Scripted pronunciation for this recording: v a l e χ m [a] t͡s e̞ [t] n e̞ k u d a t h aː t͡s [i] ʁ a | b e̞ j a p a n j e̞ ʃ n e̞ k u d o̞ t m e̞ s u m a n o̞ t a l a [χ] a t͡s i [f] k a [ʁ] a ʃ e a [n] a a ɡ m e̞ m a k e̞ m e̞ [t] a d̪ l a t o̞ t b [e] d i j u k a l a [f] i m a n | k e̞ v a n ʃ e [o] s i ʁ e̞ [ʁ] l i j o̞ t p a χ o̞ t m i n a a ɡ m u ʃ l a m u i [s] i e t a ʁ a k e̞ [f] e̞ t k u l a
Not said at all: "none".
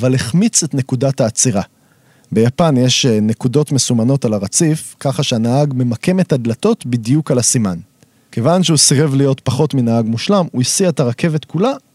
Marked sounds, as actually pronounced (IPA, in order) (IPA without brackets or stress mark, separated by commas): i, t, i, ʁ, f, χ, n, t, i, s, u, v, s, v